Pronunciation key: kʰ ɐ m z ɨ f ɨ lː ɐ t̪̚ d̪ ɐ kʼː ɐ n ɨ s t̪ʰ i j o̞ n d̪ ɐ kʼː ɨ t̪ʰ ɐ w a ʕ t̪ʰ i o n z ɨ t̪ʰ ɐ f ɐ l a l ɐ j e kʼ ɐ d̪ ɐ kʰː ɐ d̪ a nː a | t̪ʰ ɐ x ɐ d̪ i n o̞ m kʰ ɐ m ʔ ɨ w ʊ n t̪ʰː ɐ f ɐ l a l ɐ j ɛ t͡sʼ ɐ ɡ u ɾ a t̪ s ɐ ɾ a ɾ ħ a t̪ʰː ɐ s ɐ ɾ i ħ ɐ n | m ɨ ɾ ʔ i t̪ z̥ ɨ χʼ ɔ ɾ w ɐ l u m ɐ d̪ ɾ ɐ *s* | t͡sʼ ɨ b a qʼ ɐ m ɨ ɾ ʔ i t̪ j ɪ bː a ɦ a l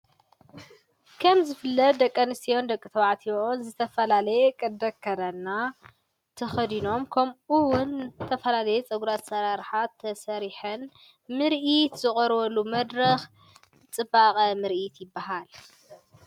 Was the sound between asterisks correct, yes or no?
no